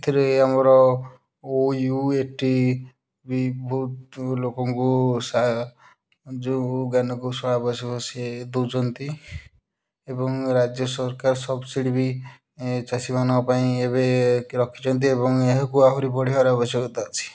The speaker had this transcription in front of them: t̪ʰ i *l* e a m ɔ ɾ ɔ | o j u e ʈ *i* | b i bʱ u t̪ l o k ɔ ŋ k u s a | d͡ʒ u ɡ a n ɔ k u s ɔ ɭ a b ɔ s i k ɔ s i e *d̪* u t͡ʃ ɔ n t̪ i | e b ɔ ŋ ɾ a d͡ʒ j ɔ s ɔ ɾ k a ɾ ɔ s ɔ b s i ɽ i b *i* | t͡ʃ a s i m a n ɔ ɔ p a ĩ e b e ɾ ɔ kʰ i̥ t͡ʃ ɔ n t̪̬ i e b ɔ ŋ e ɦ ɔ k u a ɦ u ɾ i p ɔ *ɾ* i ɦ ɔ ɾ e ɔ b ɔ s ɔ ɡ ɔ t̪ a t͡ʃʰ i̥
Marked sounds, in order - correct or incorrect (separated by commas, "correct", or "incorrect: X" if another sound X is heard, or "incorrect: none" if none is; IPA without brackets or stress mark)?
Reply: incorrect: ɾ, correct, correct, correct, incorrect: ɽ